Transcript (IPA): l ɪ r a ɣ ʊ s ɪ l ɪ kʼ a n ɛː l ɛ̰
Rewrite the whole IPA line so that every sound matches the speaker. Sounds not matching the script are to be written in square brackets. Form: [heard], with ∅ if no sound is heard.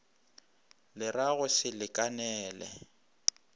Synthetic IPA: l ɪ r a ɣ ʊ s ɪ l ɪ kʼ a n ɛː l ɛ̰